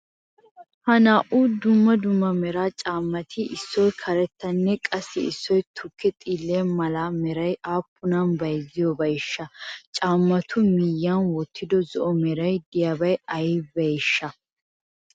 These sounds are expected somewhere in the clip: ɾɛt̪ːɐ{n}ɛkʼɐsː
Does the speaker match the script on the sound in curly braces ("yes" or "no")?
no